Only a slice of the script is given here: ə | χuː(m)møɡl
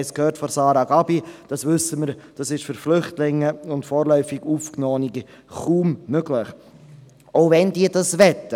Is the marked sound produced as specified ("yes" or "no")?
yes